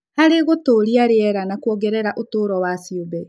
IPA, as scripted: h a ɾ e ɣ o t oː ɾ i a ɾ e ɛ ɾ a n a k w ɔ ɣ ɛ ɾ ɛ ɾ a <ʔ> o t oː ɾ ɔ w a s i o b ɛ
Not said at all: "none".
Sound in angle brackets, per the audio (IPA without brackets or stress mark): ʔ